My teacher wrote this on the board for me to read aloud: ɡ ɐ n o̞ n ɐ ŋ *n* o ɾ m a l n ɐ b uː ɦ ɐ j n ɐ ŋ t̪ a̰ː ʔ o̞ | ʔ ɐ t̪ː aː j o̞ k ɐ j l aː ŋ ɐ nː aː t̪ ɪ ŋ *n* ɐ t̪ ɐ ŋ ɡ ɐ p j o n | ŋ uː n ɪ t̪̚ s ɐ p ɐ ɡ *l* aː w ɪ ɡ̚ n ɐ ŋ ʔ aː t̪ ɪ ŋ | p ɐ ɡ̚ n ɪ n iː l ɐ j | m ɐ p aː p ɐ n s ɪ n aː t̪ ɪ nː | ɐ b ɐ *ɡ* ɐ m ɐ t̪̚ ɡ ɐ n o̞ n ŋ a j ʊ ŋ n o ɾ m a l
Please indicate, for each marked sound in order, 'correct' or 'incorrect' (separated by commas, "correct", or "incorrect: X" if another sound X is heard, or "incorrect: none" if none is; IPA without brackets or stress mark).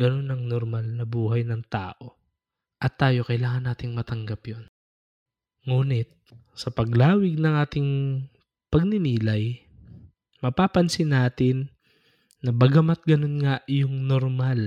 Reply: correct, incorrect: m, correct, correct